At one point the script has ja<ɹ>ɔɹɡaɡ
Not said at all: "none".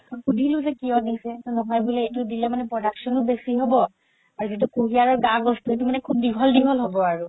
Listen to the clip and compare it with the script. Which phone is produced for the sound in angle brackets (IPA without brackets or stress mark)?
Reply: ɹ